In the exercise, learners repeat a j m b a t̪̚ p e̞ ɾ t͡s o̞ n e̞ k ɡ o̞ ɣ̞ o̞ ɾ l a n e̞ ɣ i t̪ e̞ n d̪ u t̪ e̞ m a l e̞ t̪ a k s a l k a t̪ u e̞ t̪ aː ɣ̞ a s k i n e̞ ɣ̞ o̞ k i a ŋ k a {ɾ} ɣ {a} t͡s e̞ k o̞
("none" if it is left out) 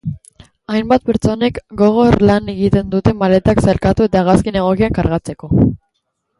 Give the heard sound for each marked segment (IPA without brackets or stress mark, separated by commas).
ɾ, a